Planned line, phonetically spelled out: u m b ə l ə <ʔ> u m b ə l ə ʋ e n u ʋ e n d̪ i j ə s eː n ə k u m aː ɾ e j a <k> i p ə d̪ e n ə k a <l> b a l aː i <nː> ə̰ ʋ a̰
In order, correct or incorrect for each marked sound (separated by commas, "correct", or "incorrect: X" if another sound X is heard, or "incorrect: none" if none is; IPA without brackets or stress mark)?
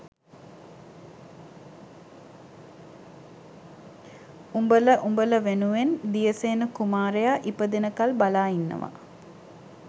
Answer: correct, incorrect: ʔ, correct, correct